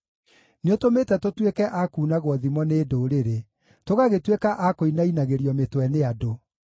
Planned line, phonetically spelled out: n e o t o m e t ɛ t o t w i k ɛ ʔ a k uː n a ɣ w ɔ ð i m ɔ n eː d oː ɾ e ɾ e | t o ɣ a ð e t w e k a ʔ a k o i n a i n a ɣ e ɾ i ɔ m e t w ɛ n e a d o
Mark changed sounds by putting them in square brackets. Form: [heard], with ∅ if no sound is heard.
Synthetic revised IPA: n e o t o m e t ɛ t o t w [e] k ɛ ʔ a k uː n a ɣ w ɔ ð i m ɔ n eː d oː ɾ e ɾ e | t o ɣ a [ɣ] e t w e k a ʔ a k o i n a i n a ɣ e ɾ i ɔ m e t w ɛ n e a d o